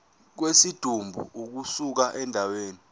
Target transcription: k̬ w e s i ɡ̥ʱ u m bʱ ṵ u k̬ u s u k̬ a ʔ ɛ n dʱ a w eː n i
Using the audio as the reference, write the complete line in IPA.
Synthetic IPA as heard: k̬ w e s i d̥ʱ u m bʱ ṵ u k̬ u s u k̬ a ʔ ɛ n dʱ a w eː n i